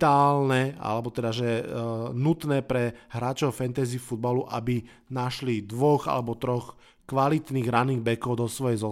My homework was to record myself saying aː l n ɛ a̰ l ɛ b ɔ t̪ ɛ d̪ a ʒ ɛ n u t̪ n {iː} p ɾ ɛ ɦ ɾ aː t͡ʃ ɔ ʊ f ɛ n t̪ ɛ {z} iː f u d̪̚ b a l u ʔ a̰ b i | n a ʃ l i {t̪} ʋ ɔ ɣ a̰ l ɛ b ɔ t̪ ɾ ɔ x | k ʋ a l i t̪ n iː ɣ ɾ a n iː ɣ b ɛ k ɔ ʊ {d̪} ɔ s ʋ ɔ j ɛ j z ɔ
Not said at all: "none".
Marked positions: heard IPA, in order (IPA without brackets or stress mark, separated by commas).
ɛː, z, d̪, d̪